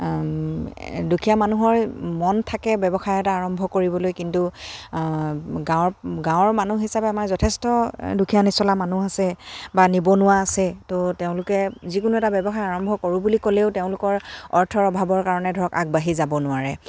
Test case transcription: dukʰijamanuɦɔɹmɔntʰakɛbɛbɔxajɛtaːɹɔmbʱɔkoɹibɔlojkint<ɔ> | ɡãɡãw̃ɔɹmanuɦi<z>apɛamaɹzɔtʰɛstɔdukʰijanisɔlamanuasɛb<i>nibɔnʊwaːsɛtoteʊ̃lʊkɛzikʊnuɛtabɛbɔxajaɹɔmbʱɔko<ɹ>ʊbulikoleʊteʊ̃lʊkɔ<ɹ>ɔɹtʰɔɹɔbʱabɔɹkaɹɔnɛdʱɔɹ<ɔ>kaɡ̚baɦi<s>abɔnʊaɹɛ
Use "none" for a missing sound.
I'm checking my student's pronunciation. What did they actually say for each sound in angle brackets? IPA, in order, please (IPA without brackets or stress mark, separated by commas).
u, s, a, ɹ, ɹ, ɔ, z